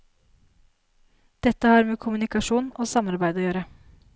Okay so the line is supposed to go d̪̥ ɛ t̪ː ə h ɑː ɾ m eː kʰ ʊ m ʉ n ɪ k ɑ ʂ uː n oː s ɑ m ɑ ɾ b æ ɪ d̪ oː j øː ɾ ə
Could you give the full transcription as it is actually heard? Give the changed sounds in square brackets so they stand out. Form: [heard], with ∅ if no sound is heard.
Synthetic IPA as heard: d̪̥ ɛ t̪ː ə h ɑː ɾ m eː kʰ ʊ m ʉ n ɪ k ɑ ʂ uː n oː s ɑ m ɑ ɾ b æ ɪ d̪ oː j øː ɾ ə

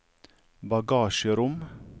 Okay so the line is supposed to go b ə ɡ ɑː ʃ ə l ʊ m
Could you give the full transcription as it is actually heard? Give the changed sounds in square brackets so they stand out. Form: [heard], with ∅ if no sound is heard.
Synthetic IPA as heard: b [ɑ] ɡ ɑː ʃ ə [ɾ] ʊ m

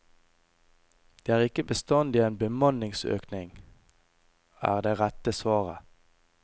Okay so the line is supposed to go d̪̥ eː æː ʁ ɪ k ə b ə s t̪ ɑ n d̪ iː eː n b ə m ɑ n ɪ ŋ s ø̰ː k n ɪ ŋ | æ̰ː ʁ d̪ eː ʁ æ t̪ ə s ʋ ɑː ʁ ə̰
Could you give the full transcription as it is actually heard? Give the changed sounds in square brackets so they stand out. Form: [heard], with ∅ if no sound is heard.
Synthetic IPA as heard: d̪̥ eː æː ʁ ɪ k ə b ə s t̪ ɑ n d̪ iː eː n b ə m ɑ n ɪ ŋ s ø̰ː k n ɪ ŋ | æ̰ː ʁ d̪ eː ʁ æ t̪ ə s ʋ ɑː ʁ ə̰

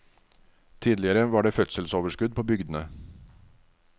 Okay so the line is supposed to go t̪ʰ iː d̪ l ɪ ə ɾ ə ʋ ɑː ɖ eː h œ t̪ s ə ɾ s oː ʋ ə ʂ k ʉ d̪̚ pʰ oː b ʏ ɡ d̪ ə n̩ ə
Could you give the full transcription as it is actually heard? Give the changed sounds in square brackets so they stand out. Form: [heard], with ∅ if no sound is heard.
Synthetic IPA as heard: t̪ʰ iː d̪ l ɪ ə ɾ ə ʋ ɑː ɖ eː [f] œ t̪ s ə [l] s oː ʋ ə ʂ k ʉ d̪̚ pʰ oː b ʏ ɡ d̪ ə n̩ ə

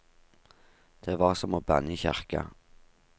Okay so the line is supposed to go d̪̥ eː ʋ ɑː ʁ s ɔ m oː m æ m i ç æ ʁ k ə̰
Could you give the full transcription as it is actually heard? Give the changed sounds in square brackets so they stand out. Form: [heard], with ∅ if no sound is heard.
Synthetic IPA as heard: d̪̥ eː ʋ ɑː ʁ s ɔ m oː [b] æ [n] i ç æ ʁ k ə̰

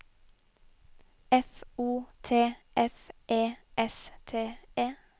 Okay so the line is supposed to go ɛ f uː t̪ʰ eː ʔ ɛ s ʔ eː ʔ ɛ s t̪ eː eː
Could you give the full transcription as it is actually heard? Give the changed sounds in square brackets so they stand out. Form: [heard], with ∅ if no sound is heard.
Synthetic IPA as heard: ɛ f uː t̪ʰ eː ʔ ɛ [f] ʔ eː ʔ ɛ s [t̪ʰ] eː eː

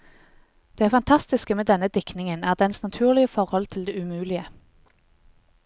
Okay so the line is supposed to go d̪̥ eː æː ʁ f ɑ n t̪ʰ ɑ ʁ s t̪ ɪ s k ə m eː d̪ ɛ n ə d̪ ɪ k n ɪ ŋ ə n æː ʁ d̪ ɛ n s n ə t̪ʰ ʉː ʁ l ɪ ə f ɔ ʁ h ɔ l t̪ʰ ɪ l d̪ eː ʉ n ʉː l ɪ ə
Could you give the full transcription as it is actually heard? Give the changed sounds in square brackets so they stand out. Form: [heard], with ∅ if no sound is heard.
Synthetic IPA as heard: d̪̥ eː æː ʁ f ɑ n t̪ʰ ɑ [∅] s t̪ ɪ s k ə m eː d̪ ɛ n ə d̪ ɪ k n ɪ ŋ ə n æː ʁ d̪ ɛ n s n [ɑ] t̪ʰ ʉː ʁ l ɪ ə f ɔ ʁ h ɔ l t̪ʰ ɪ l d̪ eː ʉ [m] ʉː l ɪ ə

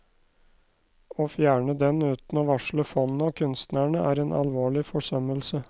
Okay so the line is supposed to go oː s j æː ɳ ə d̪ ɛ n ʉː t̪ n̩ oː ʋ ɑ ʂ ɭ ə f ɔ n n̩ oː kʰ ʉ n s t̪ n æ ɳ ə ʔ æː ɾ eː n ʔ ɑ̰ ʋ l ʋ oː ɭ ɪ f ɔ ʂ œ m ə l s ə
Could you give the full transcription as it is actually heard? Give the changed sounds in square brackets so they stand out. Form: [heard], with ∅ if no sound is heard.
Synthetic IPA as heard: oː [f] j æː ɳ ə d̪ ɛ n ʉː t̪ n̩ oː ʋ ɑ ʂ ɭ ə f ɔ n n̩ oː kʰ ʉ n s t̪ n æ ɳ ə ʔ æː ɾ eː n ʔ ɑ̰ [∅] l ʋ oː ɭ ɪ f ɔ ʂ œ m ə l s ə

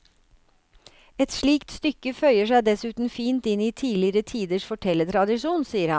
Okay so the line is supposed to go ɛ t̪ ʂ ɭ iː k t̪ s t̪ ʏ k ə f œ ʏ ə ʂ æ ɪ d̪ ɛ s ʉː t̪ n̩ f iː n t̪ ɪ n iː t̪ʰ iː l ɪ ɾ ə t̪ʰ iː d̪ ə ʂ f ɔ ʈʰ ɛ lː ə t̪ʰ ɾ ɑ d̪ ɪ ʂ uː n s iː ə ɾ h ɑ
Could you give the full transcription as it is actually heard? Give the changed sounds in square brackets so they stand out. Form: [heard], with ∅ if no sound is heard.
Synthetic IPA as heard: ɛ t̪ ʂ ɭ iː k t̪ s t̪ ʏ k ə f œ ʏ ə ʂ æ ɪ d̪ ɛ s ʉː t̪ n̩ f iː n t̪ ɪ n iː t̪ʰ iː l ɪ ɾ ə t̪ʰ iː d̪ ə ʂ f ɔ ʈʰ ɛ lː ə t̪ʰ ɾ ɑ d̪ ɪ ʂ uː n s iː ə ɾ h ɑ

